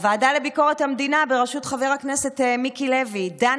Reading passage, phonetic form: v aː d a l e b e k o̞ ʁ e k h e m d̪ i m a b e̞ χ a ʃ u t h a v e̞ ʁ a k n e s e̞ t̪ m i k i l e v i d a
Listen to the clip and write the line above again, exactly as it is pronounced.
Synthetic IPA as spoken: v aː d a l e b i k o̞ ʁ e t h a m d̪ i n a b e̞ ʁ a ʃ u t χ a v e̞ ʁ a k n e s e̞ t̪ m i k i l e v i d a